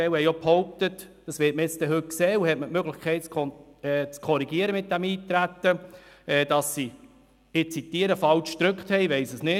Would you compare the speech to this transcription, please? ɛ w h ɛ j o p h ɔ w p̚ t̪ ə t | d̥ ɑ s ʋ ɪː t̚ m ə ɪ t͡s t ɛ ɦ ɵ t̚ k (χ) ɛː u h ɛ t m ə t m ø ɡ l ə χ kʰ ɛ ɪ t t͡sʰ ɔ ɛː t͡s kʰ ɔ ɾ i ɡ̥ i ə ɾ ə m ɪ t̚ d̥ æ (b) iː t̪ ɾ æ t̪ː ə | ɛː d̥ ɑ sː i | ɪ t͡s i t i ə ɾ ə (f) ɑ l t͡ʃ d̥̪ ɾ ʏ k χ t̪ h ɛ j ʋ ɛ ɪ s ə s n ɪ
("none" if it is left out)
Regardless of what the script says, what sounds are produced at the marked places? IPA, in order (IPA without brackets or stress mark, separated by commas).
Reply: s, m, f